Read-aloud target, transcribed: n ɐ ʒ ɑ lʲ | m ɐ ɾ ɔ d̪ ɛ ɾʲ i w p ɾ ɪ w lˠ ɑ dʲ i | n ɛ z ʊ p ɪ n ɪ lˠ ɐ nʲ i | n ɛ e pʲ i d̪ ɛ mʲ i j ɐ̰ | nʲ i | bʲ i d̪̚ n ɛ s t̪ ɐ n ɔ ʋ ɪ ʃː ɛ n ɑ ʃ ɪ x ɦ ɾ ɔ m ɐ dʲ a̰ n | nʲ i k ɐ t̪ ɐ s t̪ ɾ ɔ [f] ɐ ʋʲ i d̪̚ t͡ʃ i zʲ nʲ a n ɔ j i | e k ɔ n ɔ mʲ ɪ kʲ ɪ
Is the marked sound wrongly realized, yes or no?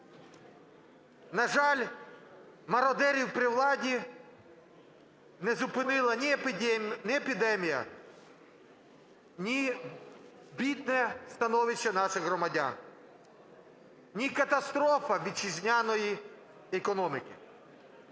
no